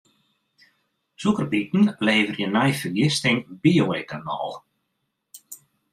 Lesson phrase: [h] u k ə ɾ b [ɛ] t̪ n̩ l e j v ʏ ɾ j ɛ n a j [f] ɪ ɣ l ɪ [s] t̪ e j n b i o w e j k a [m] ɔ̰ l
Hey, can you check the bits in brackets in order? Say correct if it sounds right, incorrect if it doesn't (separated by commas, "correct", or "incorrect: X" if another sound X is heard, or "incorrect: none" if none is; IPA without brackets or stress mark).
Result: incorrect: s, incorrect: i, correct, correct, incorrect: n